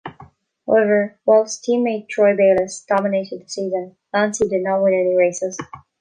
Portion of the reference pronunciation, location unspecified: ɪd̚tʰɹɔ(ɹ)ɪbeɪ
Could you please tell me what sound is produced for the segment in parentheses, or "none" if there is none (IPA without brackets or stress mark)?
none